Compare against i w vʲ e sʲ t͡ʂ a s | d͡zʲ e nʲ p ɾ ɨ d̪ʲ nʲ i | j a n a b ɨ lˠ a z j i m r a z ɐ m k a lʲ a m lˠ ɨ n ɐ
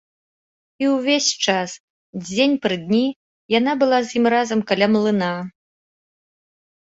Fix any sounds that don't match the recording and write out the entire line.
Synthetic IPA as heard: i w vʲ e sʲ t͡ʂ a s | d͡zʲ e nʲ p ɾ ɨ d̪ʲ nʲ i | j a n a b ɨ lˠ a z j i m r a z ɐ m k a lʲ a m lˠ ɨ n a